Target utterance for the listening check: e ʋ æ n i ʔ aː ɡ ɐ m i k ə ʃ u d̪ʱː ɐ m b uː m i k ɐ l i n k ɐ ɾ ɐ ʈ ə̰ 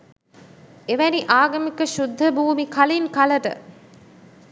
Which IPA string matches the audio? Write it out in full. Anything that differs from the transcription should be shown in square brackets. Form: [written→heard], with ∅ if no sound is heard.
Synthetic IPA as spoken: e ʋ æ n i ʔ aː ɡ ɐ m i k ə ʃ u d̪ʱː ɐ [m→∅] b uː m i k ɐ l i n k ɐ [ɾ→l] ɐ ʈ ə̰

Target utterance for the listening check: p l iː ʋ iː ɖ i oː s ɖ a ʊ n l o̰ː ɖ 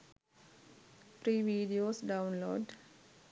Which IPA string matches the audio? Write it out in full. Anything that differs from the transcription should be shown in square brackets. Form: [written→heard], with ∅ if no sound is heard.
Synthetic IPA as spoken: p [l→ɾ] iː ʋ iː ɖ i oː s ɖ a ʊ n l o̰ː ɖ

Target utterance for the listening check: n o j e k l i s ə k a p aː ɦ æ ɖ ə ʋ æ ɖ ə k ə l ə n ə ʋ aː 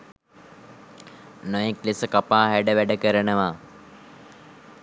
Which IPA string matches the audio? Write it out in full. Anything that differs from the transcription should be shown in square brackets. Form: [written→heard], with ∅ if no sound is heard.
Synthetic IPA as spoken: n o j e k l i s ə k a p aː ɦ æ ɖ ə ʋ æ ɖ ə k ə [l→ɾ] ə n ə ʋ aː

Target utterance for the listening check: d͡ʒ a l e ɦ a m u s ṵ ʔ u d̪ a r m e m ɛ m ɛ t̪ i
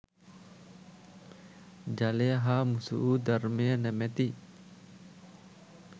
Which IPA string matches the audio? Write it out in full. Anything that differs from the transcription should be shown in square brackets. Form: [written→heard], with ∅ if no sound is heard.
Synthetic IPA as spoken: d͡ʒ a l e ɦ a m u s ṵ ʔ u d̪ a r m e [m→n] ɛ m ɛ t̪ i

